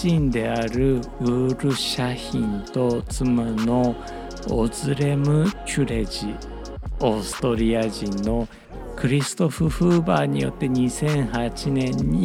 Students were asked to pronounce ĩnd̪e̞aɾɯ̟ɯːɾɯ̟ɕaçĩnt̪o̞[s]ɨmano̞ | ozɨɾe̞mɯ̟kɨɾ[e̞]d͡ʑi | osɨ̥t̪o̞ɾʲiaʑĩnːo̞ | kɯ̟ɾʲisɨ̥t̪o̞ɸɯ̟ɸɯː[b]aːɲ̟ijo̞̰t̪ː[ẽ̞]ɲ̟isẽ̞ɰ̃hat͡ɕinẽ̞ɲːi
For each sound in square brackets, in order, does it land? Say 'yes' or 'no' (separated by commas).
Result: no, yes, yes, no